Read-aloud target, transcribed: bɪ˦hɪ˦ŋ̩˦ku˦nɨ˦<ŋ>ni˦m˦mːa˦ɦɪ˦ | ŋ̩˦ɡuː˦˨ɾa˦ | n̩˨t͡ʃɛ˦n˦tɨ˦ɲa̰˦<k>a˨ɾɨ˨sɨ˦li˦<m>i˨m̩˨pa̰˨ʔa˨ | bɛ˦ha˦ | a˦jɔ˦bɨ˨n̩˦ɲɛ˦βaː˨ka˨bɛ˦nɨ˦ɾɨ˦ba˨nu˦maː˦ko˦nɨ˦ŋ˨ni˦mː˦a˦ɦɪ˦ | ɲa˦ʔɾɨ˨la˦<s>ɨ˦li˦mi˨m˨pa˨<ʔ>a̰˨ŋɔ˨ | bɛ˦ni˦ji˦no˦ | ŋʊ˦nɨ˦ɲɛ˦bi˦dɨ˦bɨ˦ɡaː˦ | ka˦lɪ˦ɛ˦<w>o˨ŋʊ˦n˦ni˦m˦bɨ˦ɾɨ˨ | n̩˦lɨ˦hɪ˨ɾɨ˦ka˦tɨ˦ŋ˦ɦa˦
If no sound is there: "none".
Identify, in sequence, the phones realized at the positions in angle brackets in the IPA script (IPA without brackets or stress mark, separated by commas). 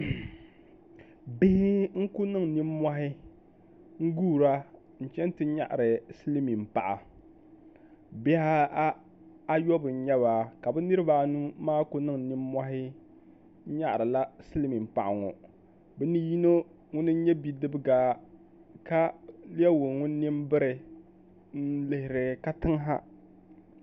ŋ, ʔ, m, s, ʔ, w